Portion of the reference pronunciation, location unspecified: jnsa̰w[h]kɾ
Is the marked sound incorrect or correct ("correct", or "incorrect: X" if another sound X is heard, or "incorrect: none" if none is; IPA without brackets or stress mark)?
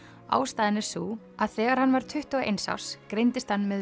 incorrect: s